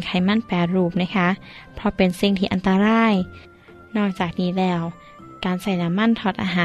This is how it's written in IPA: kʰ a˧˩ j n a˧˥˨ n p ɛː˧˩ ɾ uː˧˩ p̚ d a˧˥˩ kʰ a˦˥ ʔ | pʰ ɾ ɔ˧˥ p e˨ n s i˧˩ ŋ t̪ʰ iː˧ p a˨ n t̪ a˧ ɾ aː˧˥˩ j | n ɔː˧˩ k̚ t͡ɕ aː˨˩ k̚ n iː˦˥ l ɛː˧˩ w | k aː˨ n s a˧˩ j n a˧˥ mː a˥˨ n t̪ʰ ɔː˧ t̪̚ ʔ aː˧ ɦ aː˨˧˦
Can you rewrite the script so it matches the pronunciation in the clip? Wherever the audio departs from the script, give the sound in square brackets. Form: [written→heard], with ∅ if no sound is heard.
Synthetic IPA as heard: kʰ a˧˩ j [n→m] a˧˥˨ n p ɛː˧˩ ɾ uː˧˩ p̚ [d→n] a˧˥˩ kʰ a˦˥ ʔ | pʰ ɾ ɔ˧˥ p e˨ n s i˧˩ ŋ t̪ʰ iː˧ [p→ʔ] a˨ n t̪ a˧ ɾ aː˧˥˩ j | n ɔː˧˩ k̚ t͡ɕ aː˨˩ k̚ n iː˦˥ l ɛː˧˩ w | k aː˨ n s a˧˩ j n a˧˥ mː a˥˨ n t̪ʰ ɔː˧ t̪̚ ʔ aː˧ ɦ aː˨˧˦